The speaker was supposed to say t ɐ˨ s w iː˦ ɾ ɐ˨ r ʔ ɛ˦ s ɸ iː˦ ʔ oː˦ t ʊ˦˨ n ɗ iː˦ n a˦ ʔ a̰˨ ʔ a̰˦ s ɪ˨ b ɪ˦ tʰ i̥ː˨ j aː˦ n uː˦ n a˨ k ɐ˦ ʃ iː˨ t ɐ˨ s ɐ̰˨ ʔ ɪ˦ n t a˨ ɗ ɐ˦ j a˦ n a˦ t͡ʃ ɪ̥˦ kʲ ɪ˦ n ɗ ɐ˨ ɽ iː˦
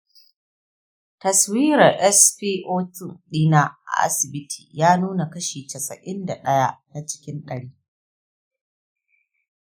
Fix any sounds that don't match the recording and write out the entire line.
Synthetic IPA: t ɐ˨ s w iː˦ ɾ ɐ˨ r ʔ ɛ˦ s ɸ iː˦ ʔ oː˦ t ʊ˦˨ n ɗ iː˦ n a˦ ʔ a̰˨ ʔ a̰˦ s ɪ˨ b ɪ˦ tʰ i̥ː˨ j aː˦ n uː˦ n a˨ k ɐ˦ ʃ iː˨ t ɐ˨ s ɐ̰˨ ʔ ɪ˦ n d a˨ ɗ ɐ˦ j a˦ n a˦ t͡ʃ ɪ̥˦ kʲ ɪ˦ n ɗ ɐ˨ ɽ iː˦

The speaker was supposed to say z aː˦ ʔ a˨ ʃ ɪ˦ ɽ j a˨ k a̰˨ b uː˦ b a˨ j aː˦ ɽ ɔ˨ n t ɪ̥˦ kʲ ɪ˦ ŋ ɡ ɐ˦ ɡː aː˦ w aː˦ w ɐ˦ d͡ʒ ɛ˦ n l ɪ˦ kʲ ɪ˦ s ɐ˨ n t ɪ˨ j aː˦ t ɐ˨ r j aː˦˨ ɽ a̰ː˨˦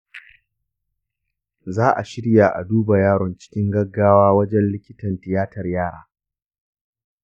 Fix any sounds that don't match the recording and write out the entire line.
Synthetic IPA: z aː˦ ʔ a˨ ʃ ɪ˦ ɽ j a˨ ʔ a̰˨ d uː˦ b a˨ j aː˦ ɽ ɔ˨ n t͡ʃ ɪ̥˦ kʲ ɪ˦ ŋ ɡ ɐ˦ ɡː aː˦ w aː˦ w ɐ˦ d͡ʒ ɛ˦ n l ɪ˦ kʲ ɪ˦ t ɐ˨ n t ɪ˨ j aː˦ t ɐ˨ r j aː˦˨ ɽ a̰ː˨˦

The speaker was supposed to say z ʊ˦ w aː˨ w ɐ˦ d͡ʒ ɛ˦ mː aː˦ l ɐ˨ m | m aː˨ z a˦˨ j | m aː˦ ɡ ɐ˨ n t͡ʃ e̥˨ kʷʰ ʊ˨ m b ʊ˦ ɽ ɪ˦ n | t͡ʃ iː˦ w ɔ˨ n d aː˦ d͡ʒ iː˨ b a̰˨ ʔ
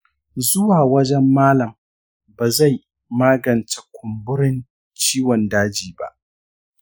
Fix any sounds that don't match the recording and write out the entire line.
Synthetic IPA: z ʊ˦ w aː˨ w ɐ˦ d͡ʒ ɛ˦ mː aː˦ l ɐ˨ m | b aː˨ z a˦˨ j | m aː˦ ɡ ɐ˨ n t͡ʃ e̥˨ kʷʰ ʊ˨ m b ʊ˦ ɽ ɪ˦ n | t͡ʃ iː˦ w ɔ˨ n d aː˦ d͡ʒ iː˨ b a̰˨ ʔ

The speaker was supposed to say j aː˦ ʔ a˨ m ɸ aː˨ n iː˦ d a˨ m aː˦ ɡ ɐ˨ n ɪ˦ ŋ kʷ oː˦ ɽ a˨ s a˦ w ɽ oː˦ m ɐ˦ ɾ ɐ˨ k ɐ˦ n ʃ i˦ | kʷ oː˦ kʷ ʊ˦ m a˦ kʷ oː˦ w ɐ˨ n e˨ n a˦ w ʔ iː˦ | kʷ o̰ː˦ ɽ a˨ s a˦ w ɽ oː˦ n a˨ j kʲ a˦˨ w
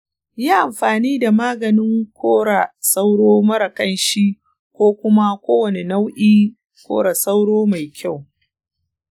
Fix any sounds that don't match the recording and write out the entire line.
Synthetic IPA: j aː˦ ʔ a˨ m ɸ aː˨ n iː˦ d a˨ m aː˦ ɡ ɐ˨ n ɪ˦ ŋ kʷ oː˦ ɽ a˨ s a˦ w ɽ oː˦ m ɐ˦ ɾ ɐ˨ k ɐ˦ n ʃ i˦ | kʷ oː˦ kʷ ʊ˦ m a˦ kʷ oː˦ w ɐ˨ n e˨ n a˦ w ʔ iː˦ | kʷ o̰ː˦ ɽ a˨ s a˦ w ɽ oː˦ m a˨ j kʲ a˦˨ w

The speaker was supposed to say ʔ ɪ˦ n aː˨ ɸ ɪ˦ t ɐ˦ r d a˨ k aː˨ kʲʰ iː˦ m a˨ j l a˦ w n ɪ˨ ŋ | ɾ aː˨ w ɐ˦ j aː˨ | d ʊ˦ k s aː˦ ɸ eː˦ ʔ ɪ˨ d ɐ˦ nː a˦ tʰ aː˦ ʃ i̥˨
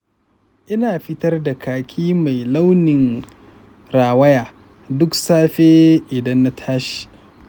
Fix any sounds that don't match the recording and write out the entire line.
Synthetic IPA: ʔ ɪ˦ n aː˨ ɸ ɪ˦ t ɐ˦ r d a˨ k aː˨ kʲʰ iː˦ m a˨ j l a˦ w n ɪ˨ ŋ | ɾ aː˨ w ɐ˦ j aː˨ | d ʊ˦ k s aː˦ ɸ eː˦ ʔ ɪ˨ d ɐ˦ nː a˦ tʰ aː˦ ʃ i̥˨

